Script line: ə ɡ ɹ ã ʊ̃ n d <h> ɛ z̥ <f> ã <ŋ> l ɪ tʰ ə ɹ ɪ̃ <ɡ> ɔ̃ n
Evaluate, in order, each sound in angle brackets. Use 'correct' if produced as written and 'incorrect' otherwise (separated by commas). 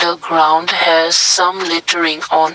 correct, incorrect, incorrect, incorrect